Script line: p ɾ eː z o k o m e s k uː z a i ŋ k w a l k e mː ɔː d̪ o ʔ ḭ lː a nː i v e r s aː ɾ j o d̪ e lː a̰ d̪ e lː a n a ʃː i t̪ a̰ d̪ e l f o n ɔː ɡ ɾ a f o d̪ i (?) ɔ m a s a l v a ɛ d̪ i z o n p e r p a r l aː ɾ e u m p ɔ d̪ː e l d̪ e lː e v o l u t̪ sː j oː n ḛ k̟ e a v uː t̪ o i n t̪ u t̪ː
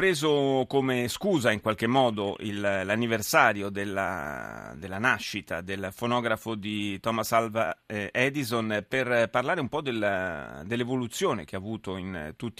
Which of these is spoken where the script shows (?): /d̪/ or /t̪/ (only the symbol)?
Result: t̪